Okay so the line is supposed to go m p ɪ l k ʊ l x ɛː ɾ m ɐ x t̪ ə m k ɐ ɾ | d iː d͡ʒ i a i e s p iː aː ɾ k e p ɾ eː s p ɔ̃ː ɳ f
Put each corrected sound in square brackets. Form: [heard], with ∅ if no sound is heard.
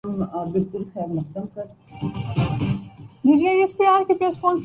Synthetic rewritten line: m [b] ɪ l k ʊ l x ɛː ɾ m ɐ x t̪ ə m k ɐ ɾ | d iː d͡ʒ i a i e s p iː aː ɾ k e p ɾ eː s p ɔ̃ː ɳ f